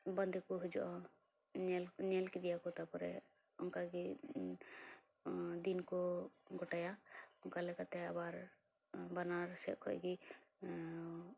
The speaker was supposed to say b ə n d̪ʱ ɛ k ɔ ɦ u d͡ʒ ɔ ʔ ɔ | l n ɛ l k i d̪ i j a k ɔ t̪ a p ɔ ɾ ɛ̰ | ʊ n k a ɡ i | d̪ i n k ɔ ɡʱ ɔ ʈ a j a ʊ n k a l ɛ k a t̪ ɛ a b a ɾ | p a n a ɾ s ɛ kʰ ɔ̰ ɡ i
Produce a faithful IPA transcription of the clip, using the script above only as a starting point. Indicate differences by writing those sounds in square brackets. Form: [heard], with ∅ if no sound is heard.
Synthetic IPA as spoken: b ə n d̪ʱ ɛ k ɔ ɦ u d͡ʒ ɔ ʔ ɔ | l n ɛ l k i d̪ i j a k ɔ t̪ a p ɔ ɾ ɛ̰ | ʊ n k a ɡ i | d̪ i n k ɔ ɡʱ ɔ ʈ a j a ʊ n k a l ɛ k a t̪ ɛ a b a ɾ | [b] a n a ɾ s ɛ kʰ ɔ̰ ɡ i

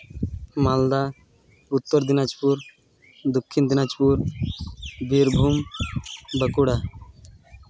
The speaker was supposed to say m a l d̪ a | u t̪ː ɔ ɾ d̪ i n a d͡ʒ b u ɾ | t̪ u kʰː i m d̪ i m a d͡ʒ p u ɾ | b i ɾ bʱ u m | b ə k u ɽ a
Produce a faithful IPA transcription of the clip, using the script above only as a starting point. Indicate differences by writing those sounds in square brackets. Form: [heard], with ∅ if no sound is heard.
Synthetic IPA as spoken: m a l d̪ a | u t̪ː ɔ ɾ d̪ i n a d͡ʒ [p] u ɾ | [d̪] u kʰː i [n] d̪ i [n] a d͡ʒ p u ɾ | b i ɾ bʱ u m | b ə k u ɽ a

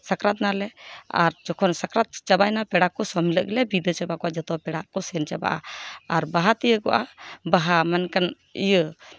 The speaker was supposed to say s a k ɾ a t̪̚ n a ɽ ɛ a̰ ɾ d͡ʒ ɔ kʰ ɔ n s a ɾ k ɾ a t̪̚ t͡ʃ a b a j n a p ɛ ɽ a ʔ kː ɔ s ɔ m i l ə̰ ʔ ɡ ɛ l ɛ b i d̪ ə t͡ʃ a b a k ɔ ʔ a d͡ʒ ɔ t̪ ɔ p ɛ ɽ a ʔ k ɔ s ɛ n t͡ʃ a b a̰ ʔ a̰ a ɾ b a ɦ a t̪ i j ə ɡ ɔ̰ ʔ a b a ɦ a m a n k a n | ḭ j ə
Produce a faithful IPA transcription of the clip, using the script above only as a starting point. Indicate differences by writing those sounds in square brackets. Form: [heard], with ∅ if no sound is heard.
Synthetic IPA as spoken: s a k ɾ a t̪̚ n a [l] ɛ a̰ ɾ d͡ʒ ɔ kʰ ɔ n s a [∅] k ɾ a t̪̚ t͡ʃ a b a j n a p ɛ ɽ a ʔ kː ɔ s ɔ m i l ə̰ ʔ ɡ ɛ l ɛ b i d̪ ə t͡ʃ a b a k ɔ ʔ a d͡ʒ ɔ t̪ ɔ p ɛ ɽ a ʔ k ɔ s ɛ n t͡ʃ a b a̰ ʔ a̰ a ɾ b a ɦ a t̪ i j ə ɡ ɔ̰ ʔ a b a ɦ a m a n k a n | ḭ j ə

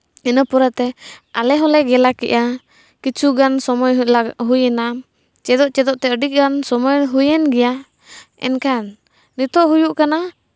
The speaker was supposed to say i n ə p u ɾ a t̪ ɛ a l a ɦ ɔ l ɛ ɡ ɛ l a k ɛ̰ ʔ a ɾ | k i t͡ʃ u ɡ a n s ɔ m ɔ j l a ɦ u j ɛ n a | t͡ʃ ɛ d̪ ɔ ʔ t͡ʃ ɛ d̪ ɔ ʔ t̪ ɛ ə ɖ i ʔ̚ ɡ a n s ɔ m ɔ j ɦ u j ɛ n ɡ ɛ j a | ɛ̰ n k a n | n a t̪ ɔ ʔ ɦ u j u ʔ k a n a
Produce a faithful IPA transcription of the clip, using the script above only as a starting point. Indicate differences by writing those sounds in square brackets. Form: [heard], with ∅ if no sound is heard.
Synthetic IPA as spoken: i n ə p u ɾ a t̪ ɛ a l [ɛ] ɦ ɔ l ɛ ɡ ɛ l a k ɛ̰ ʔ a [∅] | k i t͡ʃ u ɡ a n s ɔ m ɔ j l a ɦ u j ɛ n a | t͡ʃ ɛ d̪ ɔ ʔ t͡ʃ ɛ d̪ ɔ ʔ t̪ ɛ ə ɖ i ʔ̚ ɡ a n s ɔ m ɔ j ɦ u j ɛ n ɡ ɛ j a | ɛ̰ n k a n | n [i] t̪ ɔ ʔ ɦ u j u ʔ k a n a

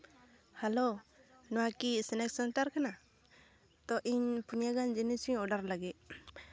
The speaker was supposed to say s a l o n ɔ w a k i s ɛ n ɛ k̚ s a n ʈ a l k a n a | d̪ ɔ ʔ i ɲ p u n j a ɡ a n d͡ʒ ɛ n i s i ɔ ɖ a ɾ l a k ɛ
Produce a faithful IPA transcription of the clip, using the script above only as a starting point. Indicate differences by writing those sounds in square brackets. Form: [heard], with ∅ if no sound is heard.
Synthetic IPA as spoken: [h] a l o n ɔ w a k i s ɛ n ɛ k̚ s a n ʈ a [ɾ] k a n a | [t̪] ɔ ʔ i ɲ p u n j a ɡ a n d͡ʒ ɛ n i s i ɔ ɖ a ɾ l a [ɡ] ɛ

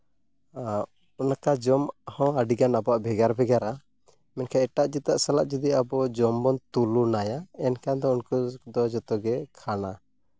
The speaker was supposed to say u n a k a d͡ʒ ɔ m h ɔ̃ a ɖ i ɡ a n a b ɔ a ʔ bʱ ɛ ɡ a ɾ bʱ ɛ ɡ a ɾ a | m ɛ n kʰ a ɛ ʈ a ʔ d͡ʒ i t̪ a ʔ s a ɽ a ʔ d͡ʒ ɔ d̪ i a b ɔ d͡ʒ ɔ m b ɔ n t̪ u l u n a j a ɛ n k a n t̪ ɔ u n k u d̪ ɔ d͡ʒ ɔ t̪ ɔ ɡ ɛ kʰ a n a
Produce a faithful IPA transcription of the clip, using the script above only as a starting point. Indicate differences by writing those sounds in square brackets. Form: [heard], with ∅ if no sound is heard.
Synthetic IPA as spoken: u n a k a d͡ʒ ɔ m h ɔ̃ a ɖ i ɡ a n a b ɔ a ʔ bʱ ɛ ɡ a ɾ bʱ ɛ ɡ a ɾ a | m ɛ n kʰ a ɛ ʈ a ʔ d͡ʒ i t̪ a ʔ s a [l] a ʔ d͡ʒ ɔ d̪ i a b ɔ d͡ʒ ɔ m b ɔ n t̪ u l u n a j a ɛ n k a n [d̪] ɔ u n k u d̪ ɔ d͡ʒ ɔ t̪ ɔ ɡ ɛ kʰ a n a

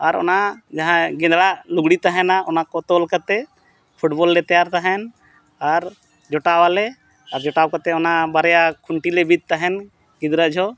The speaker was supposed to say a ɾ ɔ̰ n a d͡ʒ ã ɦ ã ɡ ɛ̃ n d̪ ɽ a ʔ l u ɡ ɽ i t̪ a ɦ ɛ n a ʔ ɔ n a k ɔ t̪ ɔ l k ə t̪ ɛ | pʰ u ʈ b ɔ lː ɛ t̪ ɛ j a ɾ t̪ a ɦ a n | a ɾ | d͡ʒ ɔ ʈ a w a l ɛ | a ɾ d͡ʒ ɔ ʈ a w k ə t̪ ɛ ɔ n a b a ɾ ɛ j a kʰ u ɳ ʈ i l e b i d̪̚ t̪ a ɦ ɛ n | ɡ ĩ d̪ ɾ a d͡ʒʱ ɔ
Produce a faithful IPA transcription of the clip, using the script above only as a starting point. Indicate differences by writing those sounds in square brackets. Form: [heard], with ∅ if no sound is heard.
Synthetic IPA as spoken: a ɾ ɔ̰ n a d͡ʒ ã ɦ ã ɡ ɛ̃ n d̪ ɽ a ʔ l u ɡ ɽ i t̪ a ɦ ɛ n a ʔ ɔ n a k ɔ t̪ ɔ l k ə t̪ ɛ | pʰ u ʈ b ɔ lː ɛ t̪ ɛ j a ɾ t̪ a ɦ [ɛ] n | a ɾ | d͡ʒ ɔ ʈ a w a l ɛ | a ɾ d͡ʒ ɔ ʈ a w k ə t̪ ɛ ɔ n a b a ɾ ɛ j a kʰ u ɳ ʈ i l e b i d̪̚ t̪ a ɦ ɛ n | ɡ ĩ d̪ ɾ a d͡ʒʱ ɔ

